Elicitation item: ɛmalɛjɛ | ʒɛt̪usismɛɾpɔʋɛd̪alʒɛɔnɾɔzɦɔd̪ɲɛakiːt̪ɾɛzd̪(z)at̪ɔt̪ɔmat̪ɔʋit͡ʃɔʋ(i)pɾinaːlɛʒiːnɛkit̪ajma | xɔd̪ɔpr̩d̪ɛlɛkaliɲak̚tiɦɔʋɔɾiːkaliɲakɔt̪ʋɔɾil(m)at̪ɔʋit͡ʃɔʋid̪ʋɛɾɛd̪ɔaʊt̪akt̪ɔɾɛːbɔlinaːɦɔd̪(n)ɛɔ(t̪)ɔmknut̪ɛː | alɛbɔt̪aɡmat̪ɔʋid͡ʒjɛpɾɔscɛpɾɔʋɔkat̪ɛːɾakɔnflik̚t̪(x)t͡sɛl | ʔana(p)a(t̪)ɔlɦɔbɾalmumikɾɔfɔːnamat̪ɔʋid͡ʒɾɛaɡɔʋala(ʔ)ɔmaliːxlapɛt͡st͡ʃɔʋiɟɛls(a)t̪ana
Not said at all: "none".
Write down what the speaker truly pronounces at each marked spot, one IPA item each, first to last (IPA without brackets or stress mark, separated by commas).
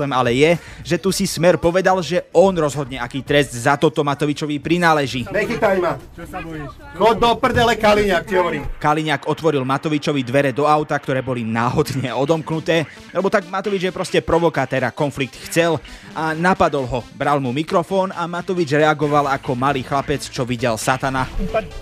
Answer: z, i, m, ɲ, d̪, x, p, d̪, k, a